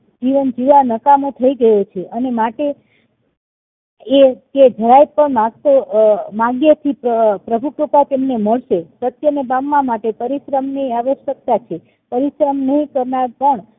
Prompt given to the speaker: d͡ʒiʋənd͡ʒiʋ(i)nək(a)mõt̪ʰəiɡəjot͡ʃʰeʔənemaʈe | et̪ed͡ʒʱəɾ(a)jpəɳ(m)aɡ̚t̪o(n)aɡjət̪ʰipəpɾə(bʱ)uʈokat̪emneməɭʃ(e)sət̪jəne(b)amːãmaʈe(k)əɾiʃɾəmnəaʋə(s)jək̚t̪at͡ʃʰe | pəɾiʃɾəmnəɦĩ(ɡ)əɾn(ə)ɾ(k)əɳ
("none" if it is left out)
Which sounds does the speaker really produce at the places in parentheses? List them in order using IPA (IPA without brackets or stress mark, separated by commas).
a, a, a, m, m, bʱ, e, b, p, ʃ, k, a, p